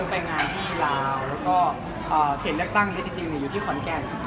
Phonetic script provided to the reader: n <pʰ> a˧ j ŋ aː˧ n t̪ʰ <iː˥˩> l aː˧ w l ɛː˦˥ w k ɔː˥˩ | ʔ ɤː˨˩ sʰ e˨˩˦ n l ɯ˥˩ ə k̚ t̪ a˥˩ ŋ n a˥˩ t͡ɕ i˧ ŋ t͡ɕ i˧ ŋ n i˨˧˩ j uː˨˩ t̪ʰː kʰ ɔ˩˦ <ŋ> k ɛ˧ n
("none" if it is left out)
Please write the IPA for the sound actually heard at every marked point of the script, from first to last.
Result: p, iː˥˩, n

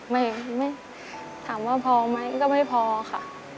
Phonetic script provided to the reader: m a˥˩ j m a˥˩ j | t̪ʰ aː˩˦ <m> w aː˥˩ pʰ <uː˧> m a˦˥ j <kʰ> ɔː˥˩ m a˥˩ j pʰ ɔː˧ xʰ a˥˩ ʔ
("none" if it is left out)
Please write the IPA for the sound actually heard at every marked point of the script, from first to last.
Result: m, ɔː˧, k

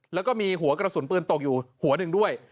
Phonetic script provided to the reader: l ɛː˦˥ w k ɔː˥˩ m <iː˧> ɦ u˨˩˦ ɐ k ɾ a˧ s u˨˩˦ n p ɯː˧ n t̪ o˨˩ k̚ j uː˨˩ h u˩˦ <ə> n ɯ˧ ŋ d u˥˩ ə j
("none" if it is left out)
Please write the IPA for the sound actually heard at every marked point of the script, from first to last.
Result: iː˧, ɐ

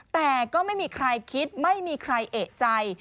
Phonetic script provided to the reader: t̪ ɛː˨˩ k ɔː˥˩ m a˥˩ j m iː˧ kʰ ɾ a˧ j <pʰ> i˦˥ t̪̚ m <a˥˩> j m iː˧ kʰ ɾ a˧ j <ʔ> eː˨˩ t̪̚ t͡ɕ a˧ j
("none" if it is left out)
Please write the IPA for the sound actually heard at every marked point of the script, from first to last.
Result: kʰ, a˥˩, ʔ

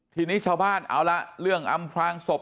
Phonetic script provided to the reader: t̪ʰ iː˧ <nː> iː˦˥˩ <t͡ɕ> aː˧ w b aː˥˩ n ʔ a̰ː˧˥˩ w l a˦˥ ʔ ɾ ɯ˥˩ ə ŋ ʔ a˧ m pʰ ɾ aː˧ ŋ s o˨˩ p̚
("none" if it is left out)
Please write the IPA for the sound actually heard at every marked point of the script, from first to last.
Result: n, t͡ɕʰ

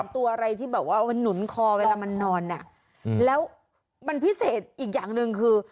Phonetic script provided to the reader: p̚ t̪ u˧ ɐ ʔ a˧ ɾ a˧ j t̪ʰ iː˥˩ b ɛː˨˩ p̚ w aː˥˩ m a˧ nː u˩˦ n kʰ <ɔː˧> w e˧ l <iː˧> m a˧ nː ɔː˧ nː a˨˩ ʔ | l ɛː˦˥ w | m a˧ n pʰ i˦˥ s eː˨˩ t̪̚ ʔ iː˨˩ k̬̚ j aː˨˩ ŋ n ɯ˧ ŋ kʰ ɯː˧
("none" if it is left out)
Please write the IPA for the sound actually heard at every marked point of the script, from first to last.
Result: ɔː˧, aː˧

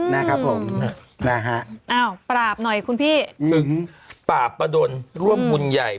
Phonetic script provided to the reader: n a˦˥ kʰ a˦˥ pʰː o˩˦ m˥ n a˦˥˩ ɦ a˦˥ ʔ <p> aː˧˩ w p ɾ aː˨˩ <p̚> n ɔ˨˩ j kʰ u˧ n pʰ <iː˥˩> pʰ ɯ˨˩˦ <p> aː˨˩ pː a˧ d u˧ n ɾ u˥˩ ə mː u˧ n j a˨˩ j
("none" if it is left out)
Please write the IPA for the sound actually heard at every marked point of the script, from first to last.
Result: ʔ, p̚, iː˥˩, p

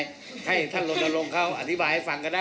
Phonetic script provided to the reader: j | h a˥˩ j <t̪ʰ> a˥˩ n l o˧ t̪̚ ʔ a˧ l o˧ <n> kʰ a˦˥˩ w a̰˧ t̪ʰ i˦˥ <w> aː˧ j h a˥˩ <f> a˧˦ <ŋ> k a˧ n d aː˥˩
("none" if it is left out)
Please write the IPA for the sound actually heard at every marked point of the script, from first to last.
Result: t̪ʰ, ŋ, b, f, ŋ

